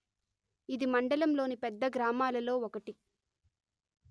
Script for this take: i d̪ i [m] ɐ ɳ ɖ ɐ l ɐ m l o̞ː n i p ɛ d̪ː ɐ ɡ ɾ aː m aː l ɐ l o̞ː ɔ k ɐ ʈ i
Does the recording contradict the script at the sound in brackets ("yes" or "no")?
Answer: no